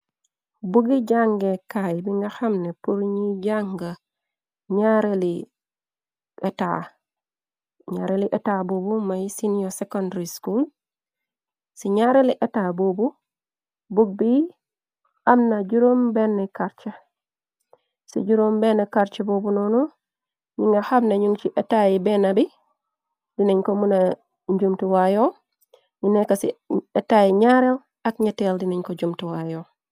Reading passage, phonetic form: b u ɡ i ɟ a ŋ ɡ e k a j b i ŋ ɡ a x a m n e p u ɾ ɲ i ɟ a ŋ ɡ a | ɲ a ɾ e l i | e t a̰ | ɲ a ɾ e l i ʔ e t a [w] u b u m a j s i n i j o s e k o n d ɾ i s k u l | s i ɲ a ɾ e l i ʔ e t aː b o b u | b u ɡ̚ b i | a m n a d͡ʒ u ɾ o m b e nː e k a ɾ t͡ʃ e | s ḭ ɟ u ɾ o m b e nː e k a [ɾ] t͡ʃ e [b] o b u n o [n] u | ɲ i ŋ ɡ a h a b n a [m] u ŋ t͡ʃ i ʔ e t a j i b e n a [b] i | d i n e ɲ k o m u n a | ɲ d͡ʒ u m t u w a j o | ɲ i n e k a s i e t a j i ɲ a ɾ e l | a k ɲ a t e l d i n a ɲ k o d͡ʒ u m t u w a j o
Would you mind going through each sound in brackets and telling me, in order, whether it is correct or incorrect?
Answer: incorrect: b, correct, correct, correct, incorrect: ɲ, correct

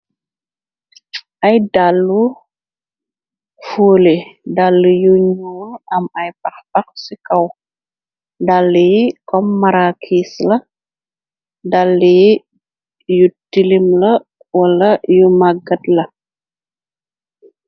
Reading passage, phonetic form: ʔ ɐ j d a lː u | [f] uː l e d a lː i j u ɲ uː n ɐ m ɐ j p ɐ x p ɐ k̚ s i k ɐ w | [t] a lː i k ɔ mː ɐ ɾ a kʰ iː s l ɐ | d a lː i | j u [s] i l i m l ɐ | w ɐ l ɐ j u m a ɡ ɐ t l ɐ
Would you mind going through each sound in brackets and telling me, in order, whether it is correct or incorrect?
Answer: correct, incorrect: d, incorrect: t

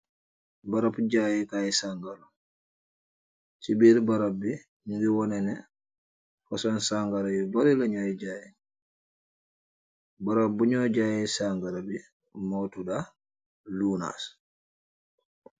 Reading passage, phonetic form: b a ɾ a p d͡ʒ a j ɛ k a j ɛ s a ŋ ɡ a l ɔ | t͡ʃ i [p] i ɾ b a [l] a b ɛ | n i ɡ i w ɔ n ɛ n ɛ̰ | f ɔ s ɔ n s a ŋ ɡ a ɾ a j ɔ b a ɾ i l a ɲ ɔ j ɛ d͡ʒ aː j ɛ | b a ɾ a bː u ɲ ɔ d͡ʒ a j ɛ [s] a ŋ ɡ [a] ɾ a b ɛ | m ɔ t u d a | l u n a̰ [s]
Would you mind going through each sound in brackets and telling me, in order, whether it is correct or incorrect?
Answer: incorrect: b, incorrect: ɾ, correct, correct, correct

